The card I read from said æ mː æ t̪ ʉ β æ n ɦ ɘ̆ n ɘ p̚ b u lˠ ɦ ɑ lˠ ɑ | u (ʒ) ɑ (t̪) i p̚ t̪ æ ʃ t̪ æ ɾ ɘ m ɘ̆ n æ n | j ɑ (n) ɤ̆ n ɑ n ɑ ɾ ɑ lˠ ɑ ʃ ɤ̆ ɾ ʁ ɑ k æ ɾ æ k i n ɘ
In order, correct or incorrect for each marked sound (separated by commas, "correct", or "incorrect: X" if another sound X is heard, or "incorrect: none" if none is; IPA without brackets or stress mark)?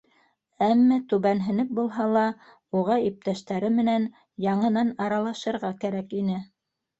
incorrect: ʁ, incorrect: none, incorrect: ɴ